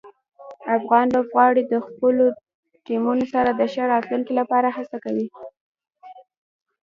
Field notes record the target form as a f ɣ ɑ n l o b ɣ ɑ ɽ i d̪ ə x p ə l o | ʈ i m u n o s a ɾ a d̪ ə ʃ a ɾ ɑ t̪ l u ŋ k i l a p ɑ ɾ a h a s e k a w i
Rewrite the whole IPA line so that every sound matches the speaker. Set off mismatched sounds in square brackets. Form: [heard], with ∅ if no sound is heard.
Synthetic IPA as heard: a f ɣ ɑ n l o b ɣ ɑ ɽ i d̪ ə x p ə l o | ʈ i m u n o s a ɾ a d̪ ə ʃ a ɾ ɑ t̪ l u ŋ k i l a p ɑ ɾ a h a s [a] k a w i